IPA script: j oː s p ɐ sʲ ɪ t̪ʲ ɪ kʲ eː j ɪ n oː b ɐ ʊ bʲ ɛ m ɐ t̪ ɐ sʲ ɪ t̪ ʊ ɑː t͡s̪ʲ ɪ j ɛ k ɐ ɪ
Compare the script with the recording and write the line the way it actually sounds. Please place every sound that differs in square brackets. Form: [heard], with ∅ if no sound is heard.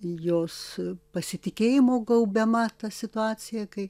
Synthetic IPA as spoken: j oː s p ɐ sʲ ɪ t̪ʲ ɪ kʲ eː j ɪ [m] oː [ɡ] ɐ ʊ bʲ ɛ m ɐ t̪ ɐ sʲ ɪ t̪ ʊ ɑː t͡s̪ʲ ɪ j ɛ k ɐ ɪ